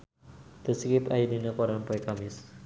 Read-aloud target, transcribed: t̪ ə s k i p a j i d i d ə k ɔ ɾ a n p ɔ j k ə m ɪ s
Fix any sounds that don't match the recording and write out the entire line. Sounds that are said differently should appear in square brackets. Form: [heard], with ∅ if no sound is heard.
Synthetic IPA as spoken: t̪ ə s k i p a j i d i [n] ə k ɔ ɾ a n p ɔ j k [a] m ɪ s